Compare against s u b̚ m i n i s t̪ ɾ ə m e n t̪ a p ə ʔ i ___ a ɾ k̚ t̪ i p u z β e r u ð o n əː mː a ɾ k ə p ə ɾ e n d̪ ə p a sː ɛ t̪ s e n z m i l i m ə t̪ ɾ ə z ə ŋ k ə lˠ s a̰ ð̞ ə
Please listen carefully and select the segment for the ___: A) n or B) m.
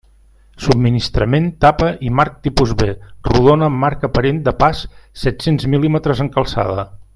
B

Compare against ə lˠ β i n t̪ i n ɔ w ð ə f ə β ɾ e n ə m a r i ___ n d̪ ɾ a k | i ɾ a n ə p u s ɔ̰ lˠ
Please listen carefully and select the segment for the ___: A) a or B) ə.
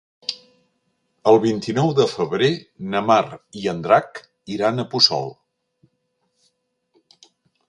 B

